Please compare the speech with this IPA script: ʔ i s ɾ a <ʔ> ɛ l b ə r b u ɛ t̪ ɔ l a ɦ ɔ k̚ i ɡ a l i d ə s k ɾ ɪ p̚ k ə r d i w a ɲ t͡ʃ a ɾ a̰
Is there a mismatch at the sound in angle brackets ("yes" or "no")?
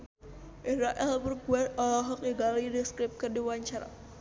no